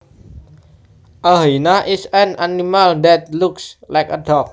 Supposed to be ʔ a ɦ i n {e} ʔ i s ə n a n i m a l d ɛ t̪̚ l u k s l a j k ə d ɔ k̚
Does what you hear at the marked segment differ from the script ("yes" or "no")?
yes